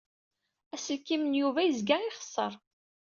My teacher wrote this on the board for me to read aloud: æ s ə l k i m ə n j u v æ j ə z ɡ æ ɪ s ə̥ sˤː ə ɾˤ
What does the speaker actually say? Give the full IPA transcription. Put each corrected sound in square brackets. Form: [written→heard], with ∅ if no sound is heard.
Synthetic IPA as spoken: æ s ə l k i m ə n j u v æ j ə z ɡ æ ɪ [s→χ] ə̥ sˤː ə ɾˤ